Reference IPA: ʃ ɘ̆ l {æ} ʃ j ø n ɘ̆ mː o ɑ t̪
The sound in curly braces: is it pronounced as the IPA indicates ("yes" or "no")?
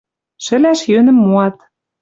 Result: yes